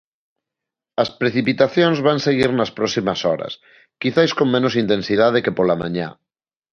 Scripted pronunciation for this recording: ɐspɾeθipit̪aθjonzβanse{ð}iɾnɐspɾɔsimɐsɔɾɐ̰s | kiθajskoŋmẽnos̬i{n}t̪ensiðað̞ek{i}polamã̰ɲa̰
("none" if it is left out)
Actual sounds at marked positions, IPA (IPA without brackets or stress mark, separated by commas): ɣ, n, e